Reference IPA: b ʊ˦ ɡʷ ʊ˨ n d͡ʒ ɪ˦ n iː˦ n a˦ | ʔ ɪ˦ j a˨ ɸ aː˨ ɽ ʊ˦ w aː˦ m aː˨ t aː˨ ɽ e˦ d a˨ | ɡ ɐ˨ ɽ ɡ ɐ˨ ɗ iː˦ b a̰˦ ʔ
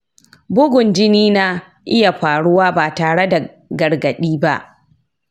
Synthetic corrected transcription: b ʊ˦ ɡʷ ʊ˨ n d͡ʒ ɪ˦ n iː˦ n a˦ | ʔ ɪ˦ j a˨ ɸ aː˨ ɽ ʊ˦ w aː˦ b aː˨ t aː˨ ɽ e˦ d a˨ | ɡ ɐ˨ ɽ ɡ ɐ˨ ɗ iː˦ b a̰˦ ʔ